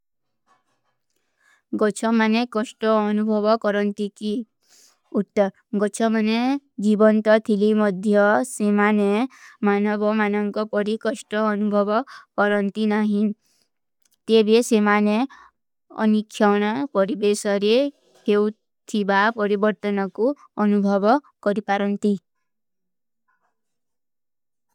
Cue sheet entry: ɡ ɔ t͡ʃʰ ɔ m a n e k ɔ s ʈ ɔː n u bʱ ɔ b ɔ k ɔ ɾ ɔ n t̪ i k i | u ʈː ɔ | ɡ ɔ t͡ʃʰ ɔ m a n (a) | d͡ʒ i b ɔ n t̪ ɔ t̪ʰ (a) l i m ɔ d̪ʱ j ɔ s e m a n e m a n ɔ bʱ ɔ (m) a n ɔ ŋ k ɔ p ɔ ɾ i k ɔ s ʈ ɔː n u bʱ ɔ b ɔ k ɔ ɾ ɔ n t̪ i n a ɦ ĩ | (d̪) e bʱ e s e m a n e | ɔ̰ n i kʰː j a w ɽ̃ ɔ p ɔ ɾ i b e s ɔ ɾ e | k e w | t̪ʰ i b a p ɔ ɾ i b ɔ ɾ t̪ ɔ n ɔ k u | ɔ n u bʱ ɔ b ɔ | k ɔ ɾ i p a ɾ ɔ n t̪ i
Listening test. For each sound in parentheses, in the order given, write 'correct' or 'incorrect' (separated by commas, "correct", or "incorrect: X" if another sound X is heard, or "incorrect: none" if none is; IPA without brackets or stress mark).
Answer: incorrect: e, incorrect: i, correct, incorrect: t̪